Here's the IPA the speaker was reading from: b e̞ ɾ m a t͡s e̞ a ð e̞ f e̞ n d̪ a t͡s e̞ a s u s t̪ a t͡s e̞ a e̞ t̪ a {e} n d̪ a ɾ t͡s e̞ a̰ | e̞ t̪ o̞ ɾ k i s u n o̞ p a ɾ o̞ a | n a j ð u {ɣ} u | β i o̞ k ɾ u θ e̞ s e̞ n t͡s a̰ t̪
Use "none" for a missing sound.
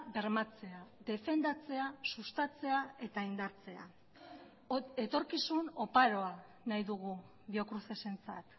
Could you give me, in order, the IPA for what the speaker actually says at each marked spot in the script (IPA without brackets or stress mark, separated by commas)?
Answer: i, ɣ